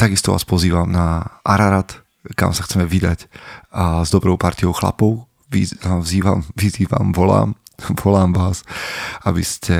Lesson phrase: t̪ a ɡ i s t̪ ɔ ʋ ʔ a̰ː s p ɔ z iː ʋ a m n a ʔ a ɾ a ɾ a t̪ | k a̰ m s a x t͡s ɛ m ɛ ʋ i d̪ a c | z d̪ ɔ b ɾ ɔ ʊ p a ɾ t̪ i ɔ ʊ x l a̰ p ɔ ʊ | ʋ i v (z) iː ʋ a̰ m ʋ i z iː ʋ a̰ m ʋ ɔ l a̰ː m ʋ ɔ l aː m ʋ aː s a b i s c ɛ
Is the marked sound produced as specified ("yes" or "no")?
yes